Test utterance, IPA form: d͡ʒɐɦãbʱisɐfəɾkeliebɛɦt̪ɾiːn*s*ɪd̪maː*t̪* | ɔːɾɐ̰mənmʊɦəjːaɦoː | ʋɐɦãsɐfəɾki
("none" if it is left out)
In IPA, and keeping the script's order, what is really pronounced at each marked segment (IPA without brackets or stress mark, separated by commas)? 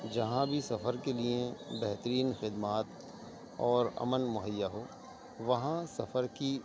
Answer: x, t̪